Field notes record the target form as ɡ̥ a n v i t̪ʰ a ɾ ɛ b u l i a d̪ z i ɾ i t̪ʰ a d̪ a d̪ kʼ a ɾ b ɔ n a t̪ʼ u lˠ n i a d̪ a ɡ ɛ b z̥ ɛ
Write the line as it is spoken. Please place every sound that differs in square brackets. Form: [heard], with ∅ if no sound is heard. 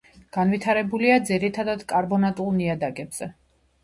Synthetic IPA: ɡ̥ a n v i t̪ʰ a ɾ ɛ b u l i a d̪ z i ɾ i t̪ʰ a d̪ a d̪ kʼ a ɾ b ɔ n a t̪ʼ u lˠ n i a d̪ a ɡ ɛ b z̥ ɛ